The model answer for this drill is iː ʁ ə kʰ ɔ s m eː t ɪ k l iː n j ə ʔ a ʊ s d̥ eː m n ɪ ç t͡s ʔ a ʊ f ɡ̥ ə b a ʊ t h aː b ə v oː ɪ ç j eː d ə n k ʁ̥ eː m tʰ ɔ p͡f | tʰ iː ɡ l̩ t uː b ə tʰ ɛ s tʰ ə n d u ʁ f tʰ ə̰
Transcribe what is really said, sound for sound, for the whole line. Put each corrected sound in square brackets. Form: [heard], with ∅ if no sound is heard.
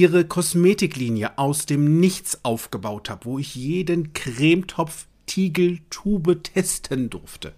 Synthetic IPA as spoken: iː ʁ ə kʰ ɔ s m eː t ɪ k l iː n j ə ʔ a ʊ s d̥ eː m n ɪ ç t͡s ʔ a ʊ f ɡ̥ ə b a ʊ t h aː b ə v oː ɪ ç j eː d ə n k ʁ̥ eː m tʰ ɔ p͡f | tʰ iː ɡ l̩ [tʰ] uː b ə tʰ ɛ s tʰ ə n d [ʊ] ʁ f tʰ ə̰